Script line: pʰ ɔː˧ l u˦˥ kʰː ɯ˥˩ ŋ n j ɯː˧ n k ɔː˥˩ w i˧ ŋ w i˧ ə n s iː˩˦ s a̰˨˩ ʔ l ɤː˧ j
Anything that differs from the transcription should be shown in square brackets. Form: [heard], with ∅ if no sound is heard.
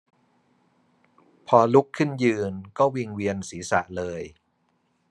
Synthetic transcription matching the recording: pʰ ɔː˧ l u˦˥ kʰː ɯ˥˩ [∅] n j ɯː˧ n k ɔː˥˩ w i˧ ŋ w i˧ ə n s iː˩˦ s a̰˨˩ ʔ l ɤː˧ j